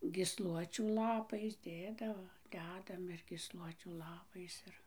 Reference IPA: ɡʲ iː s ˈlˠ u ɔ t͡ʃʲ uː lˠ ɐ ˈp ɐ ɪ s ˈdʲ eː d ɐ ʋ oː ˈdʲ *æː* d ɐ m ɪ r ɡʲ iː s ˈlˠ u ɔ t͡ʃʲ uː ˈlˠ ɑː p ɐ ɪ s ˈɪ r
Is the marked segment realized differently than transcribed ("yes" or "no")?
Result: no